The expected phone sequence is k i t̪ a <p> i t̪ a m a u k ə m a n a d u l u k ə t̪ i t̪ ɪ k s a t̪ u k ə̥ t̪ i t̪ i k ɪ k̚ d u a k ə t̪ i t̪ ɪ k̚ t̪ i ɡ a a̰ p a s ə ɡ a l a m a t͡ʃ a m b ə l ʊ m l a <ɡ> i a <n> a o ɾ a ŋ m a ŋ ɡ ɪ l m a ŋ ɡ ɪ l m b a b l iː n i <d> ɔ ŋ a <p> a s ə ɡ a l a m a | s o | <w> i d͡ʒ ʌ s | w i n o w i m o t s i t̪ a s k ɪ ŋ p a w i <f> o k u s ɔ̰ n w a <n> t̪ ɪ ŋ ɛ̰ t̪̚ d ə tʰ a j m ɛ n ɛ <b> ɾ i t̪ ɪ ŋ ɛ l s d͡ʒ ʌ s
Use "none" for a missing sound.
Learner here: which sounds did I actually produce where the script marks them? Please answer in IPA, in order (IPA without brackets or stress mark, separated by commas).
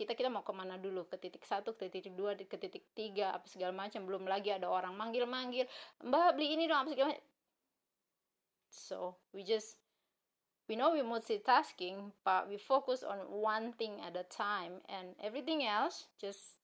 k, ɡ, d, d, p, w, f, n, v